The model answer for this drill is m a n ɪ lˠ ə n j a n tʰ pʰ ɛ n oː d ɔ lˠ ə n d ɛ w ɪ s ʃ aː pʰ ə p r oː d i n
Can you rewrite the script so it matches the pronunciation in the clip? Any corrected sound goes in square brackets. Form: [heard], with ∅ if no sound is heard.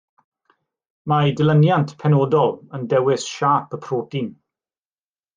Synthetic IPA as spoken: m a [d] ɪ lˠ ə n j a n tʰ pʰ ɛ n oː d ɔ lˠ ə n d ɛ w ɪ s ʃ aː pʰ ə [pʰ] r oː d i n